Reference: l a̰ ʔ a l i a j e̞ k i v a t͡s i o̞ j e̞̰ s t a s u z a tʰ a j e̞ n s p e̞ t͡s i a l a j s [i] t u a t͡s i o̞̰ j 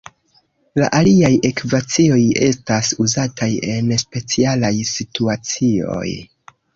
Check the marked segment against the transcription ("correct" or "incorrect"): correct